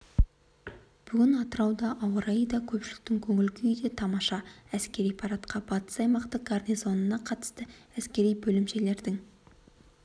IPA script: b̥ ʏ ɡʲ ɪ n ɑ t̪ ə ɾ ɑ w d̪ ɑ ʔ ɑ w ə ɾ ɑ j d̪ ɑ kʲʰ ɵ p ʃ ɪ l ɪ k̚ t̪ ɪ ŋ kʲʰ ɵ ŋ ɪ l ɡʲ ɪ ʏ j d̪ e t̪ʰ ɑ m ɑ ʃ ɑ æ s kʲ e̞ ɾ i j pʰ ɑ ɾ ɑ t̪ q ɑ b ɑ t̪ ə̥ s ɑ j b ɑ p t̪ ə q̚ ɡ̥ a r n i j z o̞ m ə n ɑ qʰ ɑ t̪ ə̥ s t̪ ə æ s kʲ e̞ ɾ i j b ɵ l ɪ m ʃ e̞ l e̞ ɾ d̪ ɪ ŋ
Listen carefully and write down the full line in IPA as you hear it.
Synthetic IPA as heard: b̥ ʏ ɡʲ ɪ n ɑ t̪ ə ɾ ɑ w d̪ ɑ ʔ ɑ w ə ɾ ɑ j d̪ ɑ kʲʰ ɵ p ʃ ɪ l ɪ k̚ t̪ ɪ ŋ kʲʰ ɵ ŋ ɪ l ɡʲ ɪ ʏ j d̪ e t̪ʰ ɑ m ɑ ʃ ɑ æ s kʲ e̞ ɾ i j pʰ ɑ ɾ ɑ t̪ q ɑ b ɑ t̪ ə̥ s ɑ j m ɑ q t̪ ə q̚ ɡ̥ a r n i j z o̞ n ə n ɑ qʰ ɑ t̪ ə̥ s t̪ ə æ s kʲ e̞ ɾ i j b ɵ l ɪ m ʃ e̞ l e̞ ɾ d̪ ɪ ŋ